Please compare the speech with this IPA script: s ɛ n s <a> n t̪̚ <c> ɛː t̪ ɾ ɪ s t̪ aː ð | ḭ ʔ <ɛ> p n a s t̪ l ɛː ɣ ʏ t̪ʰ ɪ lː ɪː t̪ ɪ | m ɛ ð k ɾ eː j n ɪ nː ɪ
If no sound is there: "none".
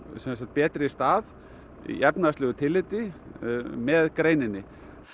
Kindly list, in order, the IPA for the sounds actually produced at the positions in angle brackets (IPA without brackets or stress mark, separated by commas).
a, p, ɛ